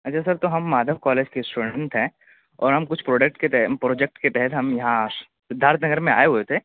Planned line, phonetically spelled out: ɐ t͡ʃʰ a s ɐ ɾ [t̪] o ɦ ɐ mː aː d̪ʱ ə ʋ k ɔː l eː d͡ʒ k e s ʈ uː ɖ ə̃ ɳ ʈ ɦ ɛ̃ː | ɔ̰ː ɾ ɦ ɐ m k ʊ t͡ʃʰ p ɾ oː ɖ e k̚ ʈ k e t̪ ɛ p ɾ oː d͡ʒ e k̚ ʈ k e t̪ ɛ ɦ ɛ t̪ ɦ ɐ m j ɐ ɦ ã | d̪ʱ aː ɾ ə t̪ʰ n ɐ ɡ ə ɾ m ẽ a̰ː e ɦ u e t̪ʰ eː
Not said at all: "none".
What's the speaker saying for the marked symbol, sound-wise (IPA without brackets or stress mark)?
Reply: t̪